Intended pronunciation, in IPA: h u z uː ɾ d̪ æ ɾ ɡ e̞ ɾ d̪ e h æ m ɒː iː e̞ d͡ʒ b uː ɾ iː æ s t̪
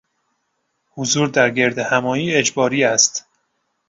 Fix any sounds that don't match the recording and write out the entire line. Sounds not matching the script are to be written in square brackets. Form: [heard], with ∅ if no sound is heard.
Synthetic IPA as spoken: h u z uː ɾ d̪ æ ɾ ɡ e̞ ɾ d̪ e h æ m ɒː iː e̞ d͡ʒ b [ɒː] ɾ iː æ s t̪